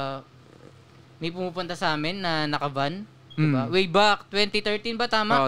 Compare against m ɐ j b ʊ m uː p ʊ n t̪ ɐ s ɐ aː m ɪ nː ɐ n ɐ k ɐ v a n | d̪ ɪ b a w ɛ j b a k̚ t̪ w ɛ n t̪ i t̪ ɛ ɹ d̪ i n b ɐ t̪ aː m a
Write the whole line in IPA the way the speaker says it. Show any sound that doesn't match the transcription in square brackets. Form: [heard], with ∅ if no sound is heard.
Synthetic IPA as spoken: m ɐ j [p] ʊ m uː p ʊ n t̪ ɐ s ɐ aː m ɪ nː ɐ n ɐ k ɐ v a n | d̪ ɪ b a w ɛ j b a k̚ t̪ w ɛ n t̪ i t̪ ɛ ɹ [t̪] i n b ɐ t̪ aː m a